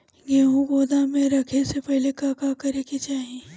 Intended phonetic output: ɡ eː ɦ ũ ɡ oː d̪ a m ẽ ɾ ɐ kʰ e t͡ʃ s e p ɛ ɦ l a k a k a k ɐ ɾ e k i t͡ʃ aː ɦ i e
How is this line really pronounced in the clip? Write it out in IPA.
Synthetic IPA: ɡ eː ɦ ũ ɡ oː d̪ a m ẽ ɾ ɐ kʰ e s e p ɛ ɦ l e k a k a k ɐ ɾ e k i t͡ʃ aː ɦ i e